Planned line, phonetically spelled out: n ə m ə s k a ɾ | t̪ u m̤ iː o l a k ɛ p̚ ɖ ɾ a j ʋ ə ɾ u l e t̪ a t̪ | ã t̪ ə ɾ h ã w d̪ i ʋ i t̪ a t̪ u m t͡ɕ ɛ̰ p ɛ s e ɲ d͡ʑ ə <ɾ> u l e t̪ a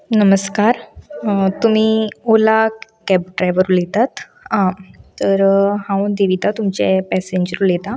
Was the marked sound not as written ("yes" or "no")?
no